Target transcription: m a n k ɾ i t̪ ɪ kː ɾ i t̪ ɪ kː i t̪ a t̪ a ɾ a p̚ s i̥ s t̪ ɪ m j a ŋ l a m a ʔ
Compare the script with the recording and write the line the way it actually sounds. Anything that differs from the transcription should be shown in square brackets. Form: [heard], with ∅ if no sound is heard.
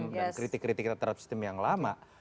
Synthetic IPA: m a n k ɾ i t̪ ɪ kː ɾ i t̪ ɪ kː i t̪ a t̪ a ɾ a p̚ s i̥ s t̪ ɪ m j a ŋ l a m a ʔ

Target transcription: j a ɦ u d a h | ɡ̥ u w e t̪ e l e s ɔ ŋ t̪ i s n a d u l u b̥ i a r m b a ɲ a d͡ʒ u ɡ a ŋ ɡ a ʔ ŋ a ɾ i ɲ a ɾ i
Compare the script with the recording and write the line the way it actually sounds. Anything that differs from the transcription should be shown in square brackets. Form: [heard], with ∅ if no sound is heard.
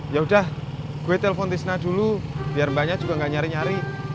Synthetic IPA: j a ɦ u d a h | ɡ̥ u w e t̪ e l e [f] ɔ [n] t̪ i s n a d u l u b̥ i a r m b a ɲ a d͡ʒ u ɡ a ŋ ɡ a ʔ [ɲ] a ɾ i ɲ a ɾ i

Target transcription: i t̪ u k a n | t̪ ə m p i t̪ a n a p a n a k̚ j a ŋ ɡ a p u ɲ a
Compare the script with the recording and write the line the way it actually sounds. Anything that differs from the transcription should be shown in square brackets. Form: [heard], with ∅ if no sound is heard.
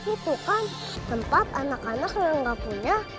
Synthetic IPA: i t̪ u k a n | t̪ ə m p [a] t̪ a n a [k] a n a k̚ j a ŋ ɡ a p u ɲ a

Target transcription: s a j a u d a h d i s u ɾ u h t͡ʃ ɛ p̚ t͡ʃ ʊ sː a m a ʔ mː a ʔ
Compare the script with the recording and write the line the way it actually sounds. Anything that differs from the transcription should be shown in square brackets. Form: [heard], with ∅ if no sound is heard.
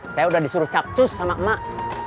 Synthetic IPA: s a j a u d a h d i s u ɾ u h t͡ʃ [a] p̚ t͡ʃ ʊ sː a m a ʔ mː a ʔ

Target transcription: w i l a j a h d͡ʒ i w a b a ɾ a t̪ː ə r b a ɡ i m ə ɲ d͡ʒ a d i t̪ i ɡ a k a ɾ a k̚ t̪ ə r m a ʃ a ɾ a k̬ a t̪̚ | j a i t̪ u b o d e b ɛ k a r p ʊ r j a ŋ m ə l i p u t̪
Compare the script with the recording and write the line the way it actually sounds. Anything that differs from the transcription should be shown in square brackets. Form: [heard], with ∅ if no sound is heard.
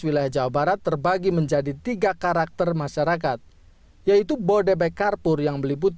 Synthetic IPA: w i l a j a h d͡ʒ [a] w a b a ɾ a t̪ː ə r b a ɡ i m ə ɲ d͡ʒ a d i t̪ i ɡ a k a ɾ a k̚ t̪ ə r m a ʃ a ɾ a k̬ a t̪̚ | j a i t̪ u b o d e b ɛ k a r p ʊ r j a ŋ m ə l i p u t̪

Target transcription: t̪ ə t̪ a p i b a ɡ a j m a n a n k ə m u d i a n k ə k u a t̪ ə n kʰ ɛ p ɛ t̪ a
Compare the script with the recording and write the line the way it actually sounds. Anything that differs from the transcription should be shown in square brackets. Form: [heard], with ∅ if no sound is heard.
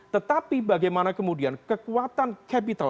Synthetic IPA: t̪ ə t̪ a p i b a ɡ a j m a n a [∅] k ə m u d i a n k ə k u a t̪ [a] n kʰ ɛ p [i] t̪ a

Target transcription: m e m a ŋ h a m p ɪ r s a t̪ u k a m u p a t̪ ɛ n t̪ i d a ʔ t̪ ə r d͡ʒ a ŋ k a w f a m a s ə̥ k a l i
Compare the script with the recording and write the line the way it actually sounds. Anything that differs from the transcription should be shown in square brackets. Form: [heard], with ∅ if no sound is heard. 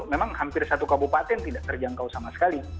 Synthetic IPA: m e m a ŋ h a m p ɪ r s a t̪ u k a [b] u p a t̪ ɛ n t̪ i d a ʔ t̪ ə r d͡ʒ a ŋ k a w [s] a m a s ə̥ k a l i

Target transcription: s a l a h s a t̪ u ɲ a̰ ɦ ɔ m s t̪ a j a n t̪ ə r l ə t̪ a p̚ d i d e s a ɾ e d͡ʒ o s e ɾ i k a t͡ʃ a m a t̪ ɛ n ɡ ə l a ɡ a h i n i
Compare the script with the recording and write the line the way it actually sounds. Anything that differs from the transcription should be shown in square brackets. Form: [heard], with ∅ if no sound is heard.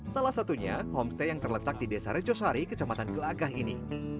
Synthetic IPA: s a l a h s a t̪ u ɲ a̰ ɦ ɔ m s t̪ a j a [ŋ] t̪ ə r l ə t̪ a [k̚] d i d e s a ɾ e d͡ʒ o s [a] ɾ i k [ə] t͡ʃ a m a t̪ [a] n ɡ ə l a ɡ a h i n i

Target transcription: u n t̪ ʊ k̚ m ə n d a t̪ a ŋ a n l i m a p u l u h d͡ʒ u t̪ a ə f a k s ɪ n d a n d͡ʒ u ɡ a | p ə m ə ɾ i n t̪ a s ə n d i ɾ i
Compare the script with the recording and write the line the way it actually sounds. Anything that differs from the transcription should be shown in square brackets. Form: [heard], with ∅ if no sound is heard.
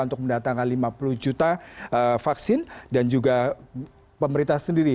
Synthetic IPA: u n t̪ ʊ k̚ m ə n d a t̪ a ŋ a n l i m a p u l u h d͡ʒ u t̪ a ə f a k s ɪ n d a n d͡ʒ u ɡ a | p ə m ə ɾ i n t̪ a s ə n d i ɾ i

